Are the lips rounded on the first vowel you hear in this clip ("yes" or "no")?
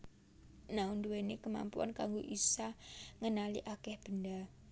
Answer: no